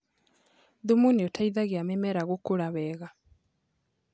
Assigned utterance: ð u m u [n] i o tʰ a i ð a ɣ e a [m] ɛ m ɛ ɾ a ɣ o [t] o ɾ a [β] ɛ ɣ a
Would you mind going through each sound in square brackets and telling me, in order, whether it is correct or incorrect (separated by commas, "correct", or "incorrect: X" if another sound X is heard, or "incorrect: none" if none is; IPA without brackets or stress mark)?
correct, correct, incorrect: k, correct